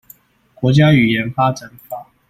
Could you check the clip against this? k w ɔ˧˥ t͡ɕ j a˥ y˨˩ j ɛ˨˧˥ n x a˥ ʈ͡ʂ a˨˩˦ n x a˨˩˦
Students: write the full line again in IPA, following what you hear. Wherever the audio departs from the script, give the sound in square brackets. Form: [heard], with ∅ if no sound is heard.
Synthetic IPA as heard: k w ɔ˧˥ t͡ɕ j a˥ y˨˩ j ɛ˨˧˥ n [f] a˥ ʈ͡ʂ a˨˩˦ n [f] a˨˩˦

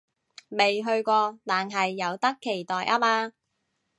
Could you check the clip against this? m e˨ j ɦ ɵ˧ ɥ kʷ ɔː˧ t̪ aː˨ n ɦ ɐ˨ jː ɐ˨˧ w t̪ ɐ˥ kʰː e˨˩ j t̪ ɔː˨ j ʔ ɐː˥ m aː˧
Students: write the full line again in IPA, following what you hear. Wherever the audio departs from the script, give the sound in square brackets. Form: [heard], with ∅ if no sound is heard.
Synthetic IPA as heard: m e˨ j ɦ ɵ˧ ɥ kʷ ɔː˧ t̪ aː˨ n ɦ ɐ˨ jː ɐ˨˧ w t̪ ɐ˥ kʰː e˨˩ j t̪ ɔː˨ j ʔ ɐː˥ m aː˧

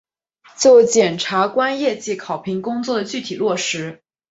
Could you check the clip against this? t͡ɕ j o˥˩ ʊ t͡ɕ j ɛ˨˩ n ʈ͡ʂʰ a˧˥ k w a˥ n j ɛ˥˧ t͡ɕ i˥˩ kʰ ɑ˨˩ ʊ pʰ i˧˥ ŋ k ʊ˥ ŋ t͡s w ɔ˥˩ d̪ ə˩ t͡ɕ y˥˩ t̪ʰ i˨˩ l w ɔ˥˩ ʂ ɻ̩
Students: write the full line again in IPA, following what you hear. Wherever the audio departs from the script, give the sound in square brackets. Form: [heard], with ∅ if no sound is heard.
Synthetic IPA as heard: t͡ɕ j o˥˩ ʊ t͡ɕ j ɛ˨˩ n ʈ͡ʂʰ a˧˥ k w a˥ n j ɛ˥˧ t͡ɕ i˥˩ kʰ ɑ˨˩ ʊ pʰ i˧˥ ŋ k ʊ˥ ŋ t͡s w ɔ˥˩ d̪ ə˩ t͡ɕ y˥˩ t̪ʰ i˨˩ l w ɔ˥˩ ʂ ɻ̩

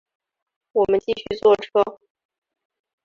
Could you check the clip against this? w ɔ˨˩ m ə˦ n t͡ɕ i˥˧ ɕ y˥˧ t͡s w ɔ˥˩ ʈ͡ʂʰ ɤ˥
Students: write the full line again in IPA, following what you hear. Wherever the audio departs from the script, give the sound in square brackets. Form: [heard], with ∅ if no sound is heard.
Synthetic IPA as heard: w ɔ˨˩ m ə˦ n t͡ɕ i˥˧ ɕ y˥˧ t͡s w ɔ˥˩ ʈ͡ʂʰ ɤ˥

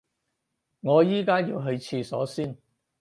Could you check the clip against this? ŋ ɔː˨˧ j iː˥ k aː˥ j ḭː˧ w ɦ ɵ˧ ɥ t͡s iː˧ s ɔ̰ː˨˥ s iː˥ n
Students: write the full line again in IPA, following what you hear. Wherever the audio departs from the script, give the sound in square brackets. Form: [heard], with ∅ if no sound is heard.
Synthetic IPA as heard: ŋ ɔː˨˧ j iː˥ k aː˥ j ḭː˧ w ɦ ɵ˧ ɥ [t͡sʰ] iː˧ s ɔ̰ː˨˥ s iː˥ n

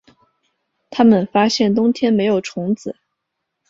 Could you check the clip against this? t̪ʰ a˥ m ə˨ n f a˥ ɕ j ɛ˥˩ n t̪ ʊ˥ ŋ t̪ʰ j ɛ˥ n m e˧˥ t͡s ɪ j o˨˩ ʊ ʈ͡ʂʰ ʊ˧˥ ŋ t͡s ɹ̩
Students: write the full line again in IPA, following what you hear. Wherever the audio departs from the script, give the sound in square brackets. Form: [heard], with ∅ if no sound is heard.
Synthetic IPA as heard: t̪ʰ a˥ m ə˨ n f a˥ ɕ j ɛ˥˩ n t̪ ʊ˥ ŋ t̪ʰ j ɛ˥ n m e˧˥ [∅] ɪ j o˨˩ ʊ ʈ͡ʂʰ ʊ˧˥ ŋ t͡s ɹ̩

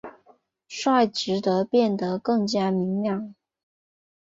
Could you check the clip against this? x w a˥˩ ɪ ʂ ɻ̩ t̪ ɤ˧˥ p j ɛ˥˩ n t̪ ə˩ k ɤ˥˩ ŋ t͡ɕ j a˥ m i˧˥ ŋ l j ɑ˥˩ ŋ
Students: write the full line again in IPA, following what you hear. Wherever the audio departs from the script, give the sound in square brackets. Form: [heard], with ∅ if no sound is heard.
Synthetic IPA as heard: [ʂ] w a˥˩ ɪ [ʈ͡ʂ] ɻ̩ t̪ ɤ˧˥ p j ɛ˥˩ n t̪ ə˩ k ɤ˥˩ ŋ t͡ɕ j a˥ m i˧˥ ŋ l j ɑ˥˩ ŋ

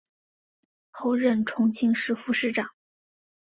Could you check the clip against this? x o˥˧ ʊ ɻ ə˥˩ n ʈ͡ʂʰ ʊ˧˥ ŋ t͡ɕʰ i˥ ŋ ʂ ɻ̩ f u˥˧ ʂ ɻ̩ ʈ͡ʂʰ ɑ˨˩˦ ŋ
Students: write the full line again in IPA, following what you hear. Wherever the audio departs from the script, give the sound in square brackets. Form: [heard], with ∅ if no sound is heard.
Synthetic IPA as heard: x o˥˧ ʊ ɻ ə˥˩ n ʈ͡ʂʰ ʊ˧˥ ŋ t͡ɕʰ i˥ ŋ ʂ ɻ̩ f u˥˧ ʂ ɻ̩ [ʈ͡ʂ] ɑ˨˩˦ ŋ

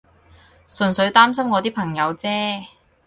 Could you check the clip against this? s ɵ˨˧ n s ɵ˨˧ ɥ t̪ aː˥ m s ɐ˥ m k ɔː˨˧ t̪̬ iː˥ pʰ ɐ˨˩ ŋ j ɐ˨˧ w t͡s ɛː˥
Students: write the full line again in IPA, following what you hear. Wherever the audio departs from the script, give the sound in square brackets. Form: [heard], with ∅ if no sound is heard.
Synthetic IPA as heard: s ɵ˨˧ n s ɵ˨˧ ɥ t̪ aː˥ m s ɐ˥ m k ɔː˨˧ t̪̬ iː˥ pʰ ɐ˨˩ ŋ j ɐ˨˧ w t͡s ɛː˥

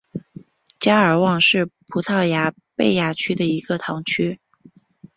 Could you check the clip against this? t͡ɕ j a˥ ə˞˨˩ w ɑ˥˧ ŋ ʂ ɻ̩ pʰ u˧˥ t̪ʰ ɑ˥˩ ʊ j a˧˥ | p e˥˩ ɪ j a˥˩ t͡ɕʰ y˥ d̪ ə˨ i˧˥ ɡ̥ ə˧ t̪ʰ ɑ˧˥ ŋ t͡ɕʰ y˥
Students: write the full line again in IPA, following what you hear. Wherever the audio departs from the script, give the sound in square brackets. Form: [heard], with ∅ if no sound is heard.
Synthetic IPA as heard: t͡ɕ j a˥ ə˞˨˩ w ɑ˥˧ ŋ ʂ ɻ̩ pʰ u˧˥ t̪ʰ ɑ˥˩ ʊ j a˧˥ | p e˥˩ ɪ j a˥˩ t͡ɕʰ y˥ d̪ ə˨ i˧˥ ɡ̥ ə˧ t̪ʰ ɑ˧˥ ŋ t͡ɕʰ y˥

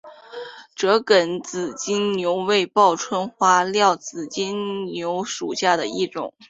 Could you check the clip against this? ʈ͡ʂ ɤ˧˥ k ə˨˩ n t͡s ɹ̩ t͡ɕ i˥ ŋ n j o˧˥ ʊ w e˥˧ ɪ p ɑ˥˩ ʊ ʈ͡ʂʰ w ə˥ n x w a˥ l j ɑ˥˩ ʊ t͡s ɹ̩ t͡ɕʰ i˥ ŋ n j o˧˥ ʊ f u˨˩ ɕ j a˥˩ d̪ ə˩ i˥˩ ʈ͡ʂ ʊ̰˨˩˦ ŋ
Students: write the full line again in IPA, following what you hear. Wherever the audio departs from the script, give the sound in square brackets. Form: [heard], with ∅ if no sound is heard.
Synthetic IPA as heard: ʈ͡ʂ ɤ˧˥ k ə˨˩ n t͡s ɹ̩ t͡ɕ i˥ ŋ n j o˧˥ ʊ w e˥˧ ɪ p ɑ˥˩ ʊ ʈ͡ʂʰ w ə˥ n x w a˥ l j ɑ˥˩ ʊ t͡s ɹ̩ [t͡ɕ] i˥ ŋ n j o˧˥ ʊ [ʂ] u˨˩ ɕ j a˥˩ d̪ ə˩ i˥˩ ʈ͡ʂ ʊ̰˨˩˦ ŋ

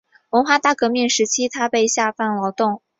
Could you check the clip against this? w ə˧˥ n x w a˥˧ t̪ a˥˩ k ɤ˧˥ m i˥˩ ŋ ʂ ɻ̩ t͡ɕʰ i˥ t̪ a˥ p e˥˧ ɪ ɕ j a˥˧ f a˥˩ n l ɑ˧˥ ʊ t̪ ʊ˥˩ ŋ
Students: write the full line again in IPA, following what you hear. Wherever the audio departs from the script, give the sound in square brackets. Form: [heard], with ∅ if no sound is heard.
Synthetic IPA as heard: w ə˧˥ n x w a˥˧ t̪ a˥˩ k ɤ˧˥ m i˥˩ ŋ ʂ ɻ̩ t͡ɕʰ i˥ [t̪ʰ] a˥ p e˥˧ ɪ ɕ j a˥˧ f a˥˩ n l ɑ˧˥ ʊ t̪ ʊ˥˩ ŋ

